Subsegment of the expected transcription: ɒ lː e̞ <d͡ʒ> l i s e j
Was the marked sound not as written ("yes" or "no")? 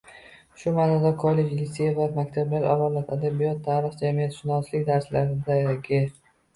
no